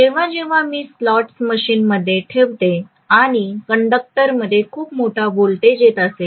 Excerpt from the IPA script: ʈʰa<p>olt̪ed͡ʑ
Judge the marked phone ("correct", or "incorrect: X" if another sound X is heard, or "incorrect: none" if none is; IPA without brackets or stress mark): incorrect: b